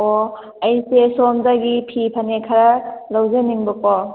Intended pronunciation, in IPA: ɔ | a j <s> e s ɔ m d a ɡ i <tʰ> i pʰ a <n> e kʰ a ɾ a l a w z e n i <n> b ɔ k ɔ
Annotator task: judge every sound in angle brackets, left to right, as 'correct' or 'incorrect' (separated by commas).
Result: correct, incorrect, correct, incorrect